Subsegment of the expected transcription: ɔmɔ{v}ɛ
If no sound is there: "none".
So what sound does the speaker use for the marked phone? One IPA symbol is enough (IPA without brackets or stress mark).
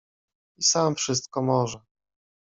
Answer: ʐ